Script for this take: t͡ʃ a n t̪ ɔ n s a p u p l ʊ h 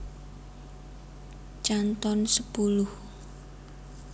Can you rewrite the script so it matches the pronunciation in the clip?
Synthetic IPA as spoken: t͡ʃ a n t̪ ɔ n s ə p u l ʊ h